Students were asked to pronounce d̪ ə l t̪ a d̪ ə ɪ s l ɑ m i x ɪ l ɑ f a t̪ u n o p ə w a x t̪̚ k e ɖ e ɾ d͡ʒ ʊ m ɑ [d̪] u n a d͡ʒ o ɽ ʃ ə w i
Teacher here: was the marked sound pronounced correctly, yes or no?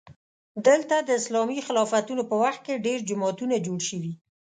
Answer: no